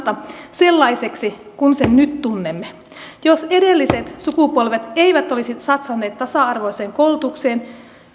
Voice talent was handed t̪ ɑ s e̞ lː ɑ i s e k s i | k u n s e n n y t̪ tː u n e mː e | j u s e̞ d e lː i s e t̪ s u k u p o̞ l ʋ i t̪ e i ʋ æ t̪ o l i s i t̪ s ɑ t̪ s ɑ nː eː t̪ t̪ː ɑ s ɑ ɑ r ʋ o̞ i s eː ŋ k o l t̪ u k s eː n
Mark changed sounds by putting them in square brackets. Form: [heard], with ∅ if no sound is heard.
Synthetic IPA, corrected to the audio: t̪ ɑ s e̞ lː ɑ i s e k s i | k u n s e n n y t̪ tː u [nː] e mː e | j [o] s e̞ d e lː i s e t̪ s u k u p o̞ l ʋ [e] t̪ e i ʋ æ t̪ o l i s i t̪ s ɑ t̪ s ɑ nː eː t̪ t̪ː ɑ s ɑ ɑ r ʋ o̞ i s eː ŋ k o l t̪ u k s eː n